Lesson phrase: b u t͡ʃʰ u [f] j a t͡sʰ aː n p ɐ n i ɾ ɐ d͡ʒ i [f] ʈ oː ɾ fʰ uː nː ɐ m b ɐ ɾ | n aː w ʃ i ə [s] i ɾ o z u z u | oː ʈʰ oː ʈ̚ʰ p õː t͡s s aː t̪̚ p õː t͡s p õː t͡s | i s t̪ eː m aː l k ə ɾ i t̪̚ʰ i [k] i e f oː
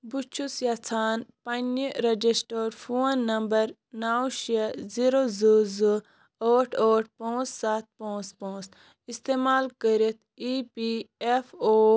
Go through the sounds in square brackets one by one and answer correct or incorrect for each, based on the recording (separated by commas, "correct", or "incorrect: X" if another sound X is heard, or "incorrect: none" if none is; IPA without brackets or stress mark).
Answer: incorrect: s, incorrect: s, incorrect: z, incorrect: p